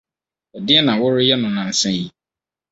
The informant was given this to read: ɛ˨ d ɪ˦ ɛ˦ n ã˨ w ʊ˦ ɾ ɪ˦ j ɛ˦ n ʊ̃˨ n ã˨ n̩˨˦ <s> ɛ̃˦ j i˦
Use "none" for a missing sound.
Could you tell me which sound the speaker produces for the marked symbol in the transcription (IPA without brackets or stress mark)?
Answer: s